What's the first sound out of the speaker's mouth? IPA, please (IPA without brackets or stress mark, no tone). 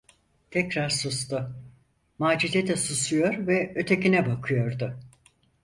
t̪ʰ